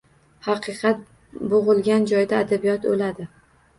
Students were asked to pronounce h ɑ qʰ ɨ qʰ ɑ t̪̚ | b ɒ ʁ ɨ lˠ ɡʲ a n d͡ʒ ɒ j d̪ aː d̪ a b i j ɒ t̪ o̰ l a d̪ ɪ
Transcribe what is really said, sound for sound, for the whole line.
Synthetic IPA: h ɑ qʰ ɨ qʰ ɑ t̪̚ | b o ʁ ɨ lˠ ɡʲ a n d͡ʒ ɒ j d̪ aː d̪ a b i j ɒ t̪ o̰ l a d̪ ɪ